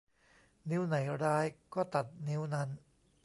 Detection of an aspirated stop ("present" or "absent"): absent